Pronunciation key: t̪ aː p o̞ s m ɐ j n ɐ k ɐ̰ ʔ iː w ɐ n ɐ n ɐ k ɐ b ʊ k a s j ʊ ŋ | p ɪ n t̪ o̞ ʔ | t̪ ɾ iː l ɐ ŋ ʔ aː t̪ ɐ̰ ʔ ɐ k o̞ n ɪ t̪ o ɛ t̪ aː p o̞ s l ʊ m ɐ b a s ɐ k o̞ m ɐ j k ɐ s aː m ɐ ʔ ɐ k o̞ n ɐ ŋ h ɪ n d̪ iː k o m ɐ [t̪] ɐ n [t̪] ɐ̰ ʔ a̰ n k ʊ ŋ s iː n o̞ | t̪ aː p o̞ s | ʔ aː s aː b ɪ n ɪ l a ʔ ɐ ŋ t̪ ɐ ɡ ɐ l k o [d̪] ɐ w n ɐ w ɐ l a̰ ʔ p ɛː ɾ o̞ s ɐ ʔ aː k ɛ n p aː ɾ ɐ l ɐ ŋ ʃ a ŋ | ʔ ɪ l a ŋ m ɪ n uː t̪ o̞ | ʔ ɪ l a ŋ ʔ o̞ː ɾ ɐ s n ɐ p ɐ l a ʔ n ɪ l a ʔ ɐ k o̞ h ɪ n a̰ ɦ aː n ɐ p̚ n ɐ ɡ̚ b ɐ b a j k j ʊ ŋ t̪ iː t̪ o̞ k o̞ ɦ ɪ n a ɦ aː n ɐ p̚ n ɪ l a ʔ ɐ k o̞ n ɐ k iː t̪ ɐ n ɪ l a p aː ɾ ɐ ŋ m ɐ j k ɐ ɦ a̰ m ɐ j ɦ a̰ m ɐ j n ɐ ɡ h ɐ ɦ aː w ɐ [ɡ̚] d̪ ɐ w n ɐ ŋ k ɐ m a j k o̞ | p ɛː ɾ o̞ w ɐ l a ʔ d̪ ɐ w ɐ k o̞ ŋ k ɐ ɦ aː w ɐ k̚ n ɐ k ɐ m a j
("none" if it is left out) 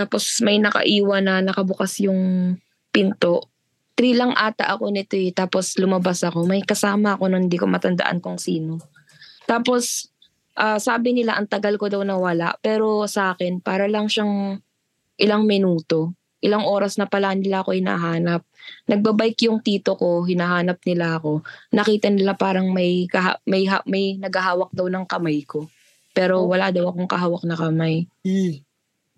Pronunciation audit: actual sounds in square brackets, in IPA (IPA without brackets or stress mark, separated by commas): t̪, d̪, d̪, k̚